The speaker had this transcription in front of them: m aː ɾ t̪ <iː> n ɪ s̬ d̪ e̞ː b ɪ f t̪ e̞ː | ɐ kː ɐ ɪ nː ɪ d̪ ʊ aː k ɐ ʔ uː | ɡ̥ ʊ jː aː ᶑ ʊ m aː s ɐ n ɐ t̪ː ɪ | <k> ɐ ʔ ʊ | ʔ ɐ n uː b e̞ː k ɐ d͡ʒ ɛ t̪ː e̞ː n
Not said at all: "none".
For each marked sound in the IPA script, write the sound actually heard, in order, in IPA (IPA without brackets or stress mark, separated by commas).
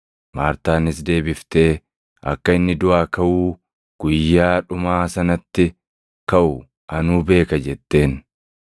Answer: aː, k